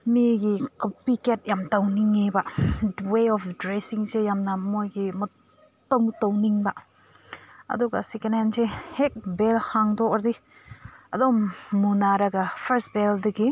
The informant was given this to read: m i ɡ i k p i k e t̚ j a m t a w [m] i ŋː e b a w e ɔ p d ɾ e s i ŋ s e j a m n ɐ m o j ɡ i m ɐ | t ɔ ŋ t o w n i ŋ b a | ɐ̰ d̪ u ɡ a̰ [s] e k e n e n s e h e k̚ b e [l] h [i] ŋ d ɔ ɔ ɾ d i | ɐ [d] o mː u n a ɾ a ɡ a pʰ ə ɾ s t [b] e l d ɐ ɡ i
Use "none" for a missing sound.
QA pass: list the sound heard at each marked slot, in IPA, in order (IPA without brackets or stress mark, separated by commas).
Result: n, s, l, a, d, b